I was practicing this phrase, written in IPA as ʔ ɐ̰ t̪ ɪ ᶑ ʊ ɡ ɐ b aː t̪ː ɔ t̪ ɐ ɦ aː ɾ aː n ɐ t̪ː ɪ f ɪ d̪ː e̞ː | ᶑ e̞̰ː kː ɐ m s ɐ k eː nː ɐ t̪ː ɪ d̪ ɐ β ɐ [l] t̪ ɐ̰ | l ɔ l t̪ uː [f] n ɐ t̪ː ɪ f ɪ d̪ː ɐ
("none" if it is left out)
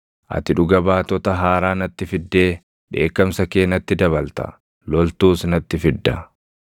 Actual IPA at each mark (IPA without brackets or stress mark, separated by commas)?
l, s